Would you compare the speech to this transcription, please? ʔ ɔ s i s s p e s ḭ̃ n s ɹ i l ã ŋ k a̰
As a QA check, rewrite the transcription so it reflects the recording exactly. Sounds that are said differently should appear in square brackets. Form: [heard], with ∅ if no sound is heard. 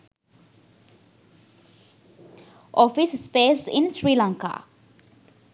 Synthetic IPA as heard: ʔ ɔ [f] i s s p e s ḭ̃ n s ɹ i l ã ŋ k a̰